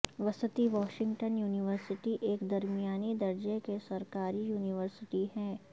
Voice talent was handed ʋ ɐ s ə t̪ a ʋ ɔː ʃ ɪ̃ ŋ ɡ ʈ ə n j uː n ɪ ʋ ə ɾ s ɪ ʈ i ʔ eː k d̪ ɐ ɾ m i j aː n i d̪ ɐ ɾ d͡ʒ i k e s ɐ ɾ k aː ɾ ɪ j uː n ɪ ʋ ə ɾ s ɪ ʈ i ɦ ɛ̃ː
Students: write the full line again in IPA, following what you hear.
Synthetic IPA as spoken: ʋ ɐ s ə t̪ i ʋ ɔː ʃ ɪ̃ ŋ ɡ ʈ ə n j uː n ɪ ʋ ə ɾ s ɪ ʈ i ʔ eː k d̪ ɐ ɾ m i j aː n i d̪ ɐ ɾ d͡ʒ e k e s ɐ ɾ k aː ɾ i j uː n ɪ ʋ ə ɾ s ɪ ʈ i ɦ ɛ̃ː